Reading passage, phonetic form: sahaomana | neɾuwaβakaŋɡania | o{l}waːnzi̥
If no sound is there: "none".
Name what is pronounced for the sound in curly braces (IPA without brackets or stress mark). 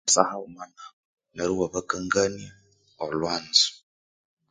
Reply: l